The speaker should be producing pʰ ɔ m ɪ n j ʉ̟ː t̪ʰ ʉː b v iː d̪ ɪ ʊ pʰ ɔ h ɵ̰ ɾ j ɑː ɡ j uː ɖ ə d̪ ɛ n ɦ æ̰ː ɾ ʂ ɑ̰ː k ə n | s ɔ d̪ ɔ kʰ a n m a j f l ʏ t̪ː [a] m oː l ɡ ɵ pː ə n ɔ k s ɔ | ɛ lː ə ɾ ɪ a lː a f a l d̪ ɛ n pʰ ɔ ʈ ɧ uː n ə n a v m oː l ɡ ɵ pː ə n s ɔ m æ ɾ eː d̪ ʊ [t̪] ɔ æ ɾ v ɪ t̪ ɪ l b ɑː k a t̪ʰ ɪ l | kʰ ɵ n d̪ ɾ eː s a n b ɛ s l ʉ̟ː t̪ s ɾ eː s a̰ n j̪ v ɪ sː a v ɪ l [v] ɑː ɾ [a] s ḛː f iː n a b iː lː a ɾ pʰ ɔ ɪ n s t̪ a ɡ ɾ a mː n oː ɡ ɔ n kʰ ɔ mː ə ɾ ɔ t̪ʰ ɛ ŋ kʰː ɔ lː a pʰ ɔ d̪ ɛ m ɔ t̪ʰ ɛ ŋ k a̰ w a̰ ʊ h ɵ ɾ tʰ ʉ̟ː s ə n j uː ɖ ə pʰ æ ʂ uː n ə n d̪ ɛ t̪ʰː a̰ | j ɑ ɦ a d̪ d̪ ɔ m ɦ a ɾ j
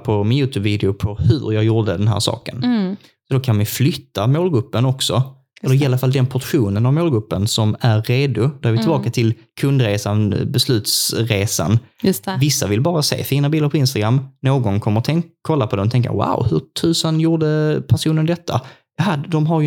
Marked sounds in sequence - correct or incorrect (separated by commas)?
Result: correct, incorrect, incorrect, correct